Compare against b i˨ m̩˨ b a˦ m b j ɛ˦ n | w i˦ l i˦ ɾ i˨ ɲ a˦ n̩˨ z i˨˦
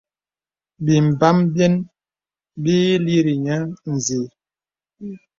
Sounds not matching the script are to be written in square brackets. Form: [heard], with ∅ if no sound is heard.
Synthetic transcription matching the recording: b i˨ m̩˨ b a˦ m b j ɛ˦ n | [b] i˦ l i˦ ɾ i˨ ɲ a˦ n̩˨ z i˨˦